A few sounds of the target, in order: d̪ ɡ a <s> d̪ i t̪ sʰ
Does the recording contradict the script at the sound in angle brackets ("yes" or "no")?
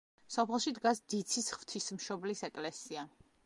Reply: no